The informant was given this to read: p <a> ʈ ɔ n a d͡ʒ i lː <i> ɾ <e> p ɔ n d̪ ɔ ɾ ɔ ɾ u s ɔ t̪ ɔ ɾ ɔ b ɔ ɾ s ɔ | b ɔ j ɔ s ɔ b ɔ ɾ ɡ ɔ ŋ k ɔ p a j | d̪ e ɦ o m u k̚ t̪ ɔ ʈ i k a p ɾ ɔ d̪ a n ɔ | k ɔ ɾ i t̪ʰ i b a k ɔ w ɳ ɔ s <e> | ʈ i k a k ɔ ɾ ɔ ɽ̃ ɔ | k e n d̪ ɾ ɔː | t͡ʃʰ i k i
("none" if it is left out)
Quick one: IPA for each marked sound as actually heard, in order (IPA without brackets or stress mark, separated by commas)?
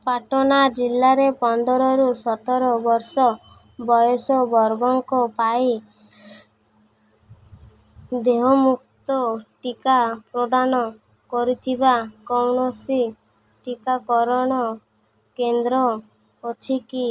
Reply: a, a, e, i